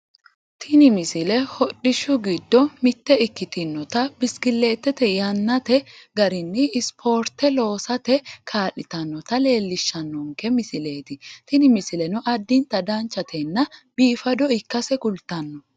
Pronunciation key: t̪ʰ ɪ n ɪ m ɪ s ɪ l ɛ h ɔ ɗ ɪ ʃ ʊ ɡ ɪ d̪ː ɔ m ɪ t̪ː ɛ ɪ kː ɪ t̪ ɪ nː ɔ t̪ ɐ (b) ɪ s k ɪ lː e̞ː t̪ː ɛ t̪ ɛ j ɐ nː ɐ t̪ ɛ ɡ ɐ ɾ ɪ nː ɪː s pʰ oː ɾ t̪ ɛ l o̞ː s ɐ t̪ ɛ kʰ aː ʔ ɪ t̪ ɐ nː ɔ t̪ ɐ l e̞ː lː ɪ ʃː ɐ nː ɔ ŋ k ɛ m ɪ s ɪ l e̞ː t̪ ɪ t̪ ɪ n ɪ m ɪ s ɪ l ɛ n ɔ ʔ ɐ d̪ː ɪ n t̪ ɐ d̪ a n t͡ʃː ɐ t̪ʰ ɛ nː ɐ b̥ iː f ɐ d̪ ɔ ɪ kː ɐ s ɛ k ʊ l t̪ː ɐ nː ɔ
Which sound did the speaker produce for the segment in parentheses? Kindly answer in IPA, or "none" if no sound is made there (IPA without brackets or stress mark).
b